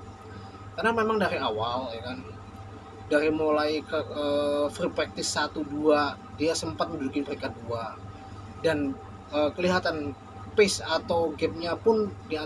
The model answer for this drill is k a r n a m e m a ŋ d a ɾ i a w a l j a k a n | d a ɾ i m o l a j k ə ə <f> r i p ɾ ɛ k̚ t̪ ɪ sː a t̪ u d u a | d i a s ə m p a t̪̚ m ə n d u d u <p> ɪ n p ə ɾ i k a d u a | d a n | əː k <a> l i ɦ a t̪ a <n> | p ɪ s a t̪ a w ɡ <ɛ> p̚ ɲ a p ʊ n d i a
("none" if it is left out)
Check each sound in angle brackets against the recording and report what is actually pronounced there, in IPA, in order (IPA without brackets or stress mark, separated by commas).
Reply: f, k, ə, n, ɛ